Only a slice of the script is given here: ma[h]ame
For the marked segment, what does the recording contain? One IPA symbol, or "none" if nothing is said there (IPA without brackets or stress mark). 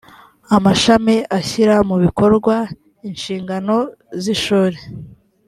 ʃ